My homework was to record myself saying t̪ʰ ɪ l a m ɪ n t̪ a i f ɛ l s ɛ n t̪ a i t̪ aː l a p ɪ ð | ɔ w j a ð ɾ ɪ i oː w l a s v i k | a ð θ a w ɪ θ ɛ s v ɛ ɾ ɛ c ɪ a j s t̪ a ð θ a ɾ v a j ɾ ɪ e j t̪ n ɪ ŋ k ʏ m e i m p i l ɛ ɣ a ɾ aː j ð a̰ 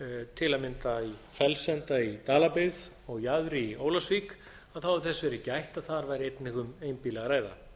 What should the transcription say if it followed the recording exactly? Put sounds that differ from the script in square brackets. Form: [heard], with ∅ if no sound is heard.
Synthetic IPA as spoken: t̪ʰ ɪ l a m ɪ n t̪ a i f ɛ l s ɛ n t̪ a i t̪ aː l a p ɪ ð | ɔ [ɣ] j a ð ɾ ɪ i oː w l a s v i k | a ð θ a w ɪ θ ɛ s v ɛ ɾ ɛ c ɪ a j [h] t̪ a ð θ a ɾ v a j ɾ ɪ e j t̪ n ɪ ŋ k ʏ m e [j] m p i l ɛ ɣ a ɾ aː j ð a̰